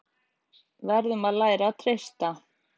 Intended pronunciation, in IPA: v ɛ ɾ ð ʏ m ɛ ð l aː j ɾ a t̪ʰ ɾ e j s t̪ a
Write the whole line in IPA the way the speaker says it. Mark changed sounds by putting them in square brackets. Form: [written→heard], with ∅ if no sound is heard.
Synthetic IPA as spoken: v ɛ ɾ ð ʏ m [ɛ→a] ð l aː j ɾ a t̪ʰ ɾ e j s t̪ a